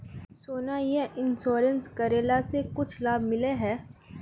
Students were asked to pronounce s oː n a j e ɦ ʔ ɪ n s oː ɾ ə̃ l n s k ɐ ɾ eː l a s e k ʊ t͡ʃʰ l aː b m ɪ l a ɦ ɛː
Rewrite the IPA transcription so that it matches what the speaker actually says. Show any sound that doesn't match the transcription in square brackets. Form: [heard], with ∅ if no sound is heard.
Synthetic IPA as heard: s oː n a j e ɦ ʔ ɪ n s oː ɾ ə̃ [∅] n s k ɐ ɾ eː l a s e k ʊ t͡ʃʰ l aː b m ɪ l [e] ɦ ɛː